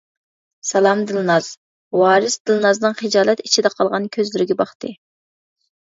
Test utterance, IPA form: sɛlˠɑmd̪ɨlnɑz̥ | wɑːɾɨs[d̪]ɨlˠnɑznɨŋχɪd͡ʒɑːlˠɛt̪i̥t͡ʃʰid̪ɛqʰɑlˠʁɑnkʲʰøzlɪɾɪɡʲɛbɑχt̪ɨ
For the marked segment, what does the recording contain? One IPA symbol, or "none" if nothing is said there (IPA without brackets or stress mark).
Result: d̪